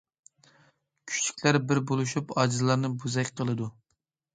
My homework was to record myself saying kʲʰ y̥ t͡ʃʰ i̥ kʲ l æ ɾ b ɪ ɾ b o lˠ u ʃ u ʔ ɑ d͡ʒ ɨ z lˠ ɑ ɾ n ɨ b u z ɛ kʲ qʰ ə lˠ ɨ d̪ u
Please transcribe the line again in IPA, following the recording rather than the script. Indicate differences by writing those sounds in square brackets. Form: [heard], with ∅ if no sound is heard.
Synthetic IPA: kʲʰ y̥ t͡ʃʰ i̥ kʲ l æ ɾ b ɪ ɾ b o lˠ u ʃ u [p] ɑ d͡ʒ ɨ z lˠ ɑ ɾ n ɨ b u z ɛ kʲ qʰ ə lˠ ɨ d̪ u